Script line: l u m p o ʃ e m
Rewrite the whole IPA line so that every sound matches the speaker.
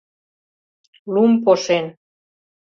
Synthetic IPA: l u m p o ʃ e n